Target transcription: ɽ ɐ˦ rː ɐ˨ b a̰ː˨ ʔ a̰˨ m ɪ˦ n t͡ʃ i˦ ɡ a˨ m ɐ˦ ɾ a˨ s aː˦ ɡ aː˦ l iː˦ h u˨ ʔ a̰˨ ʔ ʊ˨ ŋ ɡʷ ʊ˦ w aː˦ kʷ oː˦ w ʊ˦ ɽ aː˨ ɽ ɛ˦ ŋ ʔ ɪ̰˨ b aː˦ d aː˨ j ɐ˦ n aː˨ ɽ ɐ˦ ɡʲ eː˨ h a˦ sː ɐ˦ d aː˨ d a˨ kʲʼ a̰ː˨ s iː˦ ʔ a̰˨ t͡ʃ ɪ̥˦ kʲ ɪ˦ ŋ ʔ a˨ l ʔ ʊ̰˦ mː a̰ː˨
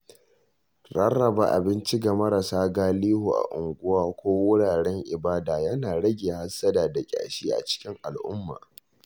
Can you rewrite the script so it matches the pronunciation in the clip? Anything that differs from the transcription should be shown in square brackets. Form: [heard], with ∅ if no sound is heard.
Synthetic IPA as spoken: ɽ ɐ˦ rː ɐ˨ b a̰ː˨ ʔ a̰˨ [b] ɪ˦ n t͡ʃ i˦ ɡ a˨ m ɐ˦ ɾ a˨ s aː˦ ɡ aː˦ l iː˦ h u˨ ʔ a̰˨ ʔ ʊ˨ ŋ ɡʷ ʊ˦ w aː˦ kʷ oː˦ w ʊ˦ ɽ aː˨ ɽ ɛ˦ ŋ ʔ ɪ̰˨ b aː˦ d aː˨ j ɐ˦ n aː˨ ɽ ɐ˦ ɡʲ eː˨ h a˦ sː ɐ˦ d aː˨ d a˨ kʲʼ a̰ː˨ [ʃ] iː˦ ʔ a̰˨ t͡ʃ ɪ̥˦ kʲ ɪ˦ ŋ ʔ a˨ l ʔ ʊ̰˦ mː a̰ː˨